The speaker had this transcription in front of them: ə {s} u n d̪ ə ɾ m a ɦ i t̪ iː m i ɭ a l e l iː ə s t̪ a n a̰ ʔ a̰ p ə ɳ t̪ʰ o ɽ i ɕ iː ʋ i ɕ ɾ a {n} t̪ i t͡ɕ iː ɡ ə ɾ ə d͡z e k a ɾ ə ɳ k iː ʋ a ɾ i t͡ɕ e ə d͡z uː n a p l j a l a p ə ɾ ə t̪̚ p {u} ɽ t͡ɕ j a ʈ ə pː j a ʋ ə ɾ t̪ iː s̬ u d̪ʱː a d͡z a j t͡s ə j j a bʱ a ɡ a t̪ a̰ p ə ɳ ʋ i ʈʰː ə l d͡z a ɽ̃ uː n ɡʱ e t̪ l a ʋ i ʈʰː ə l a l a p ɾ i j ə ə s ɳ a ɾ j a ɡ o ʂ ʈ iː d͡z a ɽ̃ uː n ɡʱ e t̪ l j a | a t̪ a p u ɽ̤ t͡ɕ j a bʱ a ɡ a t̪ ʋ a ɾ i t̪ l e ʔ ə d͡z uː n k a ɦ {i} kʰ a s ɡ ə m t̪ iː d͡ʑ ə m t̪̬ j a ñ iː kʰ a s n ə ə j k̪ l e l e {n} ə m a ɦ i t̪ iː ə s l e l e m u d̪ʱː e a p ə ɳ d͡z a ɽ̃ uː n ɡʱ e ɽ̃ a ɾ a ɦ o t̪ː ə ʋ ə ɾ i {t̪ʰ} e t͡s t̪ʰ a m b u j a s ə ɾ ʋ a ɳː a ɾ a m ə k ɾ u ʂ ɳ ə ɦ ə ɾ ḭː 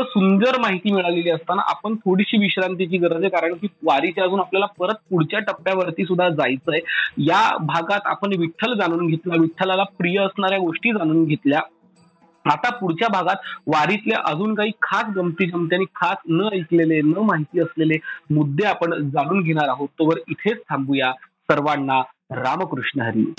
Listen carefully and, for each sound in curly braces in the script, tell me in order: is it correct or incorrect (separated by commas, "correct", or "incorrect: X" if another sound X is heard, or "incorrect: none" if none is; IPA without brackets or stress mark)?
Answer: correct, correct, correct, incorrect: iː, correct, correct